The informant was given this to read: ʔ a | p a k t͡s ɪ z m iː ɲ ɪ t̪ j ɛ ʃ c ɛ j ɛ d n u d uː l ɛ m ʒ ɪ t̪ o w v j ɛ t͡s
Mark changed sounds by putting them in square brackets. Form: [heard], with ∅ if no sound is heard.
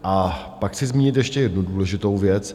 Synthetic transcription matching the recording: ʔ a | p a k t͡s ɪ z m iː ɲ ɪ t̪ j ɛ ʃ c ɛ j ɛ d n u d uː l ɛ [∅] ʒ ɪ t̪ o w v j ɛ t͡s

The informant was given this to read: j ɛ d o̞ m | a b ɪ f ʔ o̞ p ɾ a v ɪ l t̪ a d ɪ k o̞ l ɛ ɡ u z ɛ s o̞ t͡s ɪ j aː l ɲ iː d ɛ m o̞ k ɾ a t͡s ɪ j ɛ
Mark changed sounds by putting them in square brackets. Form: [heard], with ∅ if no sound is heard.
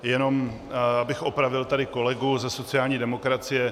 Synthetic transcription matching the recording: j ɛ [n] o̞ m | a b ɪ [x] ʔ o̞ p ɾ a v ɪ l t̪ a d ɪ k o̞ l ɛ ɡ u z ɛ s o̞ t͡s ɪ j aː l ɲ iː d ɛ m o̞ k ɾ a t͡s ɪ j ɛ

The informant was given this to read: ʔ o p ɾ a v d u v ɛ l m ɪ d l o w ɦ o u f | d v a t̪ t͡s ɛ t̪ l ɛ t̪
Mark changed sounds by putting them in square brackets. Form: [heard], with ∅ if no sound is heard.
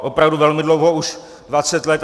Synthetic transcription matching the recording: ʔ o p ɾ a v d u v ɛ l m ɪ d l o w ɦ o u [ʃ] | d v a [∅] t͡s ɛ t̪ l ɛ t̪

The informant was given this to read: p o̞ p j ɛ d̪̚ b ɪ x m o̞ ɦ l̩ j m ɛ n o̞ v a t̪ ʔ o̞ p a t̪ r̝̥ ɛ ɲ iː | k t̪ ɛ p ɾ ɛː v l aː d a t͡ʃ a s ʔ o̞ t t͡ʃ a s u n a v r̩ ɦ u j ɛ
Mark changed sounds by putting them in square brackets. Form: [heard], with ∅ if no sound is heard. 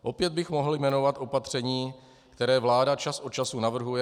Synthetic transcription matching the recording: [ʔ] o̞ p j ɛ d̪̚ b ɪ x m o̞ ɦ l̩ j m ɛ n o̞ v a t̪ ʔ o̞ p a t̪ r̝̥ ɛ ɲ iː | k t̪ ɛ [∅] ɾ ɛː v l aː d a t͡ʃ a s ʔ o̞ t t͡ʃ a s u n a v r̩ ɦ u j ɛ

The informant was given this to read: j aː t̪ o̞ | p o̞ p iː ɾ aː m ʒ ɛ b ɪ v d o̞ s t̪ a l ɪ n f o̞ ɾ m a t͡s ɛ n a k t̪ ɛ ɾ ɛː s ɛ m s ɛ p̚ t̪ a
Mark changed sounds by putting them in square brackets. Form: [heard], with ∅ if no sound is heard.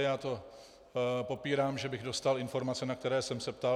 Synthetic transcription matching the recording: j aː t̪ o̞ | p o̞ p iː ɾ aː m ʒ ɛ b ɪ [ɣ] d o̞ s t̪ a l ɪ n f o̞ ɾ m a t͡s ɛ n a k t̪ ɛ ɾ ɛː s ɛ m s ɛ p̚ t̪ a

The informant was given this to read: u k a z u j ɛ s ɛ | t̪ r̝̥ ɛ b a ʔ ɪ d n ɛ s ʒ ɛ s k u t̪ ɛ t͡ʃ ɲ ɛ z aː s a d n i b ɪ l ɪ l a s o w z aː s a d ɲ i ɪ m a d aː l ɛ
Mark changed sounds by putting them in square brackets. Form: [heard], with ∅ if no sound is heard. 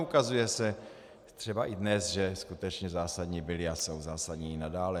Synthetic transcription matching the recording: u k a z u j ɛ s ɛ | t̪ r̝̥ ɛ b a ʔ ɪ d n ɛ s ʒ ɛ s k u t̪ ɛ t͡ʃ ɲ ɛ z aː s a d [ɲ] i b ɪ l ɪ [∅] a s o w z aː s a d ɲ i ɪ [n] a d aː l ɛ

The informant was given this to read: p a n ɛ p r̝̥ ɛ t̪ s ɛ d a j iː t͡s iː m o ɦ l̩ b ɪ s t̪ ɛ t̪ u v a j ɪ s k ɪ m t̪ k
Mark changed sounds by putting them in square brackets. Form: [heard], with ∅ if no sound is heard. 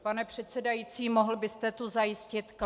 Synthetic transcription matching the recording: p a n ɛ p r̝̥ ɛ t̪ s ɛ d a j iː t͡s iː m o ɦ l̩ b ɪ s t̪ ɛ t̪ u [z] a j ɪ s [c] ɪ [∅] t̪ k

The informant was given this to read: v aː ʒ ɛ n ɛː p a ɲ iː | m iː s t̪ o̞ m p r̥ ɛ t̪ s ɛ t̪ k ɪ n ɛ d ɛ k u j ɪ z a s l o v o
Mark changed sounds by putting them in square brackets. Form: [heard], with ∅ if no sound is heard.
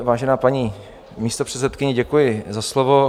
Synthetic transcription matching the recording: v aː ʒ ɛ n [aː] p a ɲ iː | m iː s t̪ o̞ [∅] p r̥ ɛ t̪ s ɛ t̪ k ɪ [ɲ] ɛ [ɟ] ɛ k u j ɪ z a s l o v o

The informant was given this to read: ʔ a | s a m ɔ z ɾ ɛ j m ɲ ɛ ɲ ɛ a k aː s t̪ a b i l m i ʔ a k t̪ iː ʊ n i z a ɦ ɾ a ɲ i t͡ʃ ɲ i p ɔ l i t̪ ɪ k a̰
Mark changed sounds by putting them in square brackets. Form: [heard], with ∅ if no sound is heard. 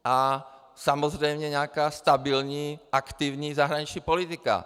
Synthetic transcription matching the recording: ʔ a | s a m ɔ z ɾ ɛ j m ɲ ɛ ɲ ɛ a k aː s t̪ a b i l [ɲ] i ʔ a k t̪ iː ʊ [ɲ] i z a ɦ ɾ a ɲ i t͡ʃ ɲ i p ɔ l i t̪ [i] k a̰

